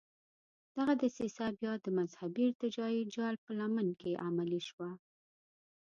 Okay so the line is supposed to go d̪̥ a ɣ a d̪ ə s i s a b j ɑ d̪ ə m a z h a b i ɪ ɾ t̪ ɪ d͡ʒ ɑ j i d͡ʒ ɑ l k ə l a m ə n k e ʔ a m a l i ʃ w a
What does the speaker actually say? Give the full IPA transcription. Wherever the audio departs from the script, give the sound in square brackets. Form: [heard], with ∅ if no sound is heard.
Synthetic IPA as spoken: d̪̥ a ɣ a d̪ ə s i s a b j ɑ d̪ ə m a z h a b i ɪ ɾ t̪ ɪ d͡ʒ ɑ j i d͡ʒ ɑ l [p] ə l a m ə n k e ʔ a m a l i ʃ w a